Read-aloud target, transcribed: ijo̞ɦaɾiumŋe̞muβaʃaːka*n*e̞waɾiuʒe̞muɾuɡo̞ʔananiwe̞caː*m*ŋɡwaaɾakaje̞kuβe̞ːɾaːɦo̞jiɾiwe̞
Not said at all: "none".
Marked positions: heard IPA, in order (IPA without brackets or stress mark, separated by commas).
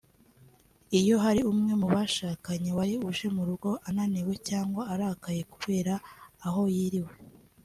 ɲ, none